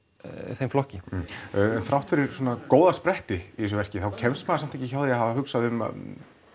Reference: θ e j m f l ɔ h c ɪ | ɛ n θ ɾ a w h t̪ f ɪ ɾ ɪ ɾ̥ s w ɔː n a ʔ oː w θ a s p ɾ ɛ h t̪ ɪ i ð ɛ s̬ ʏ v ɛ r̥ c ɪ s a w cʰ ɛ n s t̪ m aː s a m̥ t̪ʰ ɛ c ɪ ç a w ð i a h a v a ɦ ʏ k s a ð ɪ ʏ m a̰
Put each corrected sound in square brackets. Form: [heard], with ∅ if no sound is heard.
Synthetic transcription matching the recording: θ e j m f l ɔ h c ɪ | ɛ n θ ɾ a w h t̪ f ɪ ɾ ɪ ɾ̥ s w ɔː n a [k] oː w [ð] a s p ɾ ɛ h t̪ ɪ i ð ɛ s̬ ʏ v ɛ r̥ c ɪ [θ] a w cʰ ɛ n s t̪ m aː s a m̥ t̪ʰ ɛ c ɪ ç a w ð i a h a v a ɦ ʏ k s a ð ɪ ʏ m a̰

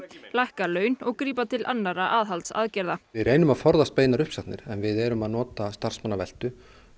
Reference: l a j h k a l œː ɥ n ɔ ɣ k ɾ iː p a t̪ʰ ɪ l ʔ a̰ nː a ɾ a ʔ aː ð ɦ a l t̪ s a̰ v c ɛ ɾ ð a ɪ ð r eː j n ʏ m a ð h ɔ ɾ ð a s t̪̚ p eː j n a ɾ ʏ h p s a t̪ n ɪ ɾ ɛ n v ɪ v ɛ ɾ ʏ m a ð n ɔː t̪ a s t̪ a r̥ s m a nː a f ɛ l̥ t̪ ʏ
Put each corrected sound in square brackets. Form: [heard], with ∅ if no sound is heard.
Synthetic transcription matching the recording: l a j h k a l œː ɥ n ɔ ɣ k ɾ iː p a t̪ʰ ɪ l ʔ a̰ nː a ɾ a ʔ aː ð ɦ a l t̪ s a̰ [ð] c ɛ ɾ ð a ɪ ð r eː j n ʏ m a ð [f] ɔ ɾ ð a s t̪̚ p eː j n a ɾ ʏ h p s a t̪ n ɪ ɾ ɛ n v ɪ [ð] ɛ ɾ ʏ m a ð n ɔː t̪ a s t̪ a r̥ s m a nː a [v] ɛ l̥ t̪ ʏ

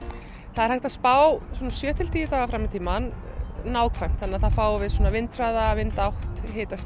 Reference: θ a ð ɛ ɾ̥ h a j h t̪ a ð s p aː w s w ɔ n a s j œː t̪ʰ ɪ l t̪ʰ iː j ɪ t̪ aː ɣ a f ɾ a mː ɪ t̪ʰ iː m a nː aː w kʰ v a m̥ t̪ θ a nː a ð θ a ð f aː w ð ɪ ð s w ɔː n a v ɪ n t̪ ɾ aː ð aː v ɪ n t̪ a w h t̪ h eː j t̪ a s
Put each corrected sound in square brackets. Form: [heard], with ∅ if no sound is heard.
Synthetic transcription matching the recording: θ a ð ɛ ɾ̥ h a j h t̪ a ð s p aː w s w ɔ n a s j œː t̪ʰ ɪ l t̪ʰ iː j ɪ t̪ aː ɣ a f ɾ a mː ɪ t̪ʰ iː m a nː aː w kʰ v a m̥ t̪ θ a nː a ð θ a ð f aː w [v] ɪ ð s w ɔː n a v ɪ n t̪ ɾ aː ð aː v ɪ n t̪ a w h t̪ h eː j t̪ a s

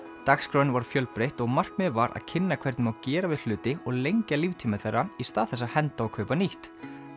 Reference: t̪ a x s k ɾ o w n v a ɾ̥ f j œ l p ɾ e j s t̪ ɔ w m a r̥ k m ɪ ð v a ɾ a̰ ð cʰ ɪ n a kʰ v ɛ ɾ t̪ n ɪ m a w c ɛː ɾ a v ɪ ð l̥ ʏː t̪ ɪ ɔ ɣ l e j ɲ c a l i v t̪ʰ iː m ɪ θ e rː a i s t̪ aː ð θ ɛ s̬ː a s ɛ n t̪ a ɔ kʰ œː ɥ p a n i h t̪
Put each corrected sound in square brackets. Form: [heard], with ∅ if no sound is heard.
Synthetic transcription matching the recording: t̪ a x s k ɾ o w n v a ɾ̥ f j œ l p ɾ e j [h] t̪ ɔ [ɣ] m a r̥ k m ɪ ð v a ɾ a̰ ð cʰ ɪ [nː] a kʰ v ɛ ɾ t̪ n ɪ m a w c ɛː ɾ a v ɪ ð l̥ ʏː t̪ ɪ ɔ ɣ l e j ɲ c a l i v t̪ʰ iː m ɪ θ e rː a i s t̪ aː ð θ ɛ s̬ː a [h] ɛ n t̪ a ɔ kʰ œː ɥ p a n i h t̪

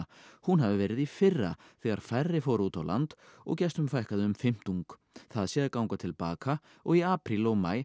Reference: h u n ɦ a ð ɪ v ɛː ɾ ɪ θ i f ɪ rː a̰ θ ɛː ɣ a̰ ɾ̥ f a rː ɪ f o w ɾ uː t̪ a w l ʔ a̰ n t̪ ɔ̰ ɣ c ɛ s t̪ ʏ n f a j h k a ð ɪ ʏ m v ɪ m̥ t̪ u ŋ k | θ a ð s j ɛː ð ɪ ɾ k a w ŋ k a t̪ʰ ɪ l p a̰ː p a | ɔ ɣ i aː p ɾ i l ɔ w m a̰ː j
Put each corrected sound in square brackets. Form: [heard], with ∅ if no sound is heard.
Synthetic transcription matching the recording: h u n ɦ a [v] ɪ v ɛː ɾ ɪ [ð] i f ɪ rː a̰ θ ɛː ɣ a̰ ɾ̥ f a rː ɪ f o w ɾ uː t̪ a w l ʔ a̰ n t̪ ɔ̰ ɣ c ɛ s t̪ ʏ [m] f a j h k a ð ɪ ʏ m [f] ɪ m̥ t̪ u ŋ k | θ a ð s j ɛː ð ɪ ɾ k a w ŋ k a t̪ʰ ɪ l p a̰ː [k] a | ɔ ɣ i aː p ɾ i l ɔ [ɣ] m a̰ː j

